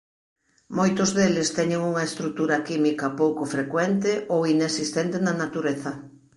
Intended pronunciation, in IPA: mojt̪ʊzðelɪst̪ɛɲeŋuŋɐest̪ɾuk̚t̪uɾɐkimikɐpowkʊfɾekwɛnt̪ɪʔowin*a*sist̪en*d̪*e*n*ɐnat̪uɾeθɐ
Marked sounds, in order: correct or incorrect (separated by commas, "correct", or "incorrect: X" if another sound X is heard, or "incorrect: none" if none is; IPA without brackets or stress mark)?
incorrect: e, incorrect: t̪, correct